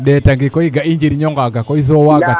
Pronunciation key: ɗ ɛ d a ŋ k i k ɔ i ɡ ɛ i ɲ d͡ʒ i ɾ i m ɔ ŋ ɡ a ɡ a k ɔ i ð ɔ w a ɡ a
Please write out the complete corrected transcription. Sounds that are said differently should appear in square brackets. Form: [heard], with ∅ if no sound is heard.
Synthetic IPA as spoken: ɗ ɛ [t] a ŋ [ɡ] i k ɔ i ɡ [a] i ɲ d͡ʒ i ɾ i [ɲ] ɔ ŋ ɡ a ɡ a k ɔ i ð ɔ w a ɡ a

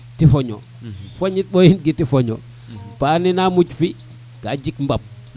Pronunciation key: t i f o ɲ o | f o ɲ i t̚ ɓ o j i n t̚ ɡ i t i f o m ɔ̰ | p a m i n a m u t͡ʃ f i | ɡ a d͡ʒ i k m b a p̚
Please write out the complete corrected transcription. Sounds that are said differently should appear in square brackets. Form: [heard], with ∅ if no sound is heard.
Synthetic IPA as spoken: t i f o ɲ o | f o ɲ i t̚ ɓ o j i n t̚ ɡ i t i f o [ɲ] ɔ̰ | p a [n] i n a m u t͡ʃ f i | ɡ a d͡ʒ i k m b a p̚

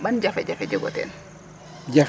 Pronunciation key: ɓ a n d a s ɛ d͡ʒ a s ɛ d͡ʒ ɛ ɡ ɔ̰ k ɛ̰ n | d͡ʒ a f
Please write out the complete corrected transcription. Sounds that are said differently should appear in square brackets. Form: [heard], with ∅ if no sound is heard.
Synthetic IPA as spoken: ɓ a n [d͡ʒ] a [f] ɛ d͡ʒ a [f] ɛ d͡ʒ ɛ ɡ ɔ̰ [t] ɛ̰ n | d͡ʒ a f

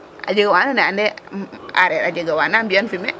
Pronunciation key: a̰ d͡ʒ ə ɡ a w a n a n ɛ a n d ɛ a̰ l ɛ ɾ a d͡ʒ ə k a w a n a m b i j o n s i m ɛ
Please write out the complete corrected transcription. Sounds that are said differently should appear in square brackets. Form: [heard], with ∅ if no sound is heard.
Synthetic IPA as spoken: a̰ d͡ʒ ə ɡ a w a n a n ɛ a n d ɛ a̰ [ɾ] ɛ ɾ a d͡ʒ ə [ɡ] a w a n a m b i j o n [f] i m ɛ

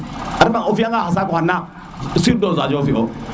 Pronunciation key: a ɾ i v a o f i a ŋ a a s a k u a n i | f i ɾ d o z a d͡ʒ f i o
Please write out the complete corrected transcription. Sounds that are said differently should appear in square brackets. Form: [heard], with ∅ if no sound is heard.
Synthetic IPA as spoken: a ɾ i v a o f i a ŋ a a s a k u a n [a] | [s] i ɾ d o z a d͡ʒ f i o

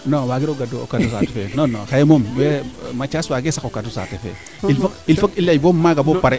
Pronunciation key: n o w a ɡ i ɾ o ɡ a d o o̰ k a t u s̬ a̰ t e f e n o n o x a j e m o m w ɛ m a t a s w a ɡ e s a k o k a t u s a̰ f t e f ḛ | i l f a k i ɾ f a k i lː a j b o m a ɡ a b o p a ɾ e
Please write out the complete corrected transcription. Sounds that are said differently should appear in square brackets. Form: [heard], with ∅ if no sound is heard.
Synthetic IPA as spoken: n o w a ɡ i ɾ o ɡ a d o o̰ k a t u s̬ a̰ t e f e n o n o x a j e m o m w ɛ m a [t͡ʃ] a s w a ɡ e s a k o k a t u s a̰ [∅] t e f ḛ | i l f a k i [l] f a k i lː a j b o m a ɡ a b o p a ɾ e

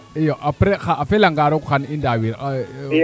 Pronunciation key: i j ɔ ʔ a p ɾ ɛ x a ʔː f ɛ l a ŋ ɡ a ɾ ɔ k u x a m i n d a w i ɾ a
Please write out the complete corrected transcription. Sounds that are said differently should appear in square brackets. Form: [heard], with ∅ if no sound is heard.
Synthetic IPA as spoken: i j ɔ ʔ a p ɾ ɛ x a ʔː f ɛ l a ŋ ɡ a ɾ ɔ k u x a [n] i n d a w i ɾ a

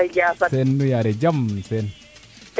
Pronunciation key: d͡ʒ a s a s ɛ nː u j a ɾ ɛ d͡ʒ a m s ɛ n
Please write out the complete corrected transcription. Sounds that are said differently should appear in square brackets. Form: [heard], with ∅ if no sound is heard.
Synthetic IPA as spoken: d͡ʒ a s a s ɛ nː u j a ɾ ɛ d͡ʒ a m s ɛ n

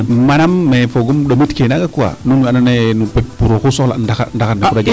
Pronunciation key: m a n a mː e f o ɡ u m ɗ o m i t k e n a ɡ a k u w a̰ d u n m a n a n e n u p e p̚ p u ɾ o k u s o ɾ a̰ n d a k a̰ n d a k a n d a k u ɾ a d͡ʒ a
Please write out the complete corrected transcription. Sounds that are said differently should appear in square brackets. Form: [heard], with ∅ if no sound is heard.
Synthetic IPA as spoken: m a n a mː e f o ɡ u m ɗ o m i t k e n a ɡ a k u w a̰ [n] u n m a n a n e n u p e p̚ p u ɾ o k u s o [l] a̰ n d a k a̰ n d a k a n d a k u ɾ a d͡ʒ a

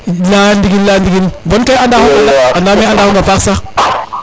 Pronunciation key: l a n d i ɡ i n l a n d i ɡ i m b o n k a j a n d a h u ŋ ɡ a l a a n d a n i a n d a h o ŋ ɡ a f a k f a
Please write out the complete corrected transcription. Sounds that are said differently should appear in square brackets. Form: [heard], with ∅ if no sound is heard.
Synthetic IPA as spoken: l a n d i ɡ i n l a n d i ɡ i [n] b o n k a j a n d a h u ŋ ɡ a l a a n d a [m] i a n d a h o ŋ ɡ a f a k [s] a

